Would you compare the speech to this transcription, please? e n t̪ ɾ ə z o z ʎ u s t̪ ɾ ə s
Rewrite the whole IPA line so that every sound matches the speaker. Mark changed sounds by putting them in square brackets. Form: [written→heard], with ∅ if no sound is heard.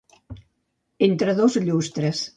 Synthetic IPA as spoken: e n t̪ ɾ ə [z→ð] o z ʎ u s t̪ ɾ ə s